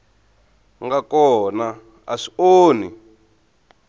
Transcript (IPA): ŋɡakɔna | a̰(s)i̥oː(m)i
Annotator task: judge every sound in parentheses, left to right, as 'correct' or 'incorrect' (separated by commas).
incorrect, incorrect